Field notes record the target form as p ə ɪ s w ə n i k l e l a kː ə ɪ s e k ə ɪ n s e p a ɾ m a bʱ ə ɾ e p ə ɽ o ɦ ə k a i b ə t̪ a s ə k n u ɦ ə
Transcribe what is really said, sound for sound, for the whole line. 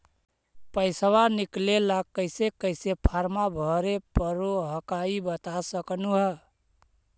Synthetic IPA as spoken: p ə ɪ s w a n i k l e l a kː ə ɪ s e k ə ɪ s e pʰ a ɾ m a bʱ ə ɾ e p ə ɾ o ɦ ə k a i b ə t̪ a s ə k n u ɦ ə